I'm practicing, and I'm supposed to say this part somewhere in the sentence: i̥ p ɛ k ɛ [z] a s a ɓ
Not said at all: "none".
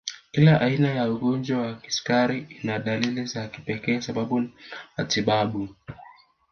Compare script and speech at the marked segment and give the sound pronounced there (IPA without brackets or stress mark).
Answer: none